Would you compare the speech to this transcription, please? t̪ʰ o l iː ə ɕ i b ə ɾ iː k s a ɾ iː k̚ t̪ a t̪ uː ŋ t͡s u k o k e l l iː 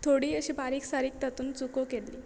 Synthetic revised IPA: t̪ʰ o ɽ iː ə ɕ i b a ɾ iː k s a ɾ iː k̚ t̪ a t̪ uː n t͡s u k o k e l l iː